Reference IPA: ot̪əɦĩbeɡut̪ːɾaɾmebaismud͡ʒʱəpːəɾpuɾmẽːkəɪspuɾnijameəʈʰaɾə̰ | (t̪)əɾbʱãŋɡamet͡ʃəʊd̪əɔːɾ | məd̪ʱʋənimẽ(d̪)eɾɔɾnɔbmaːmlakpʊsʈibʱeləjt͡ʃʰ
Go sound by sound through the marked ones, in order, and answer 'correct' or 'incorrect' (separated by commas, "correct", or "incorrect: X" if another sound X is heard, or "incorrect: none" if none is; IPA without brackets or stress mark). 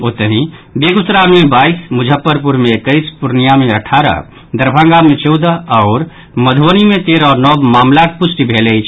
incorrect: d̪, incorrect: t̪